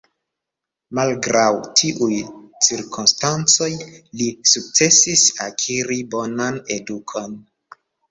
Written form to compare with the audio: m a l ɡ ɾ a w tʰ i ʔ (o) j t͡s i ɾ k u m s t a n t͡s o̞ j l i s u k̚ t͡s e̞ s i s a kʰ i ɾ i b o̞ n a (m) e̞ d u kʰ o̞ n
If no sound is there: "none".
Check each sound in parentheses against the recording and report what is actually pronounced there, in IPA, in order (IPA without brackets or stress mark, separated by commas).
u, n